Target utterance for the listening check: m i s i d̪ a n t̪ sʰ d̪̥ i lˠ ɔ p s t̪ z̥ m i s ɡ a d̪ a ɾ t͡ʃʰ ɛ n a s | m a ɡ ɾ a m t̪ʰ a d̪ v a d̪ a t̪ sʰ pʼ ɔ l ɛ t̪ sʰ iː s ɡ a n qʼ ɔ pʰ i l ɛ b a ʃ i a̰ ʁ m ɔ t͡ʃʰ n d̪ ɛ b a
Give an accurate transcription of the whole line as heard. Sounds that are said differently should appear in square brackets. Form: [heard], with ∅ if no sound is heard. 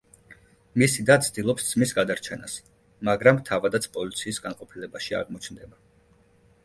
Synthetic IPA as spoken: m i s i d̪ a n t̪ sʰ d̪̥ i lˠ ɔ p s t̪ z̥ m i s ɡ a d̪ a ɾ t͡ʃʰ ɛ n a s | m a ɡ ɾ a m t̪ʰ a [∅] v a d̪ a t̪ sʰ pʼ ɔ l [i] t̪ sʰ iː s ɡ a n qʼ ɔ pʰ i l ɛ b a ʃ i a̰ ʁ m ɔ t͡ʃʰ n d̪ ɛ b a